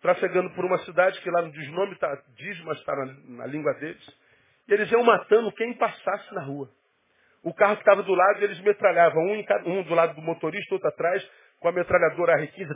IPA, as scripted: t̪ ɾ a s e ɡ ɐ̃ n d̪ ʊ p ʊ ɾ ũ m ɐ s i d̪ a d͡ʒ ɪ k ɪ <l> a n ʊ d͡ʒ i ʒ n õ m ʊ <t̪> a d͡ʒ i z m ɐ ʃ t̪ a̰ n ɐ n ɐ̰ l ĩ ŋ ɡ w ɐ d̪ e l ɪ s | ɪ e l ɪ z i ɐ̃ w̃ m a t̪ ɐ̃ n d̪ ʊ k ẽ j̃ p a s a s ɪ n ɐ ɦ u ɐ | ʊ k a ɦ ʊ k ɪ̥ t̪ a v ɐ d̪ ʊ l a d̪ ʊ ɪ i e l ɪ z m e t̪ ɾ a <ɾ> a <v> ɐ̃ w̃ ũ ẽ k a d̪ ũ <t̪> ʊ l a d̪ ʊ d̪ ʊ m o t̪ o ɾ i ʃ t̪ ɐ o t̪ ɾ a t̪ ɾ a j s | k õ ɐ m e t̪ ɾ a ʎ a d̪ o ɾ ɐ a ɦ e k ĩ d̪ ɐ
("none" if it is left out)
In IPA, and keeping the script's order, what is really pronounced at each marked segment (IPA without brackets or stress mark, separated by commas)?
l, t̪, ʎ, v, d̪